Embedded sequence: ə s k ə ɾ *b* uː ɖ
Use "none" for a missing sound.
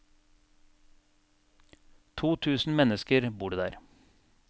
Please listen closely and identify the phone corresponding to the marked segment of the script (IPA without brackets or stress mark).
b